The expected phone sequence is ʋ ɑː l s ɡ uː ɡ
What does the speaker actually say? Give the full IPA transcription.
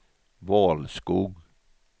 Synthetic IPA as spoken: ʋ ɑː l s k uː ɡ